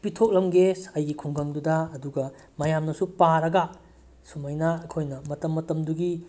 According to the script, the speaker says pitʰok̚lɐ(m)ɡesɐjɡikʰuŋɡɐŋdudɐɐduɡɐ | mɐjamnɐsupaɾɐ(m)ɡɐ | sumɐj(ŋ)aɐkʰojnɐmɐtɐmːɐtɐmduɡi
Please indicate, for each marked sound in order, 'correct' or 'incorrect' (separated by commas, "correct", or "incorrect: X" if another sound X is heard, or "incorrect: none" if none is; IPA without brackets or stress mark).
correct, incorrect: none, incorrect: n